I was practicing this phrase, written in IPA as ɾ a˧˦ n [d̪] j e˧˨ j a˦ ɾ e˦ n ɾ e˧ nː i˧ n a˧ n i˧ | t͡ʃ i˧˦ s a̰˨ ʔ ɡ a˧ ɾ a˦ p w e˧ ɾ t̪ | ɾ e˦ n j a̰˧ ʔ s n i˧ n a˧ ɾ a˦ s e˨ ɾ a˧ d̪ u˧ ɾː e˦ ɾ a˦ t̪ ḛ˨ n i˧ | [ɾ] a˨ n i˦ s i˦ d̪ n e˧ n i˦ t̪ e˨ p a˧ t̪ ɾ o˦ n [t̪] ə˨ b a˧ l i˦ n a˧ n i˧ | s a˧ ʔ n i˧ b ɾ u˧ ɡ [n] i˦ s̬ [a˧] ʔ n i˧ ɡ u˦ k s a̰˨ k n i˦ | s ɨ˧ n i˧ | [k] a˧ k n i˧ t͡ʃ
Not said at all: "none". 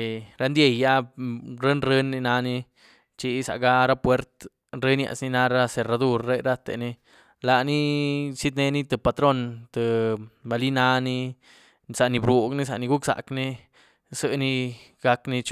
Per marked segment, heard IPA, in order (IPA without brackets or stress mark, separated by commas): d̪, l, t̪, n, a˧, ɡ